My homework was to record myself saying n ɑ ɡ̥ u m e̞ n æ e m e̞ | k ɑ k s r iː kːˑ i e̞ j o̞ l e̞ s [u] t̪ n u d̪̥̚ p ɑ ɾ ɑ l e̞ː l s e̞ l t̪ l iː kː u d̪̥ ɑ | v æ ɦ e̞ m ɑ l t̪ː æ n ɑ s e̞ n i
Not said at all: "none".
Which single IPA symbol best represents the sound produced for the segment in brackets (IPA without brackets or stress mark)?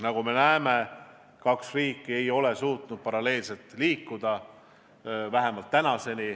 uː